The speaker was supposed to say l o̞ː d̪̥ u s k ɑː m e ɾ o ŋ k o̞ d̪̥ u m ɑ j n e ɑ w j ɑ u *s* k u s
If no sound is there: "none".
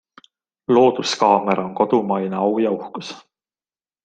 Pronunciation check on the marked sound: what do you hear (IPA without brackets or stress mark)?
h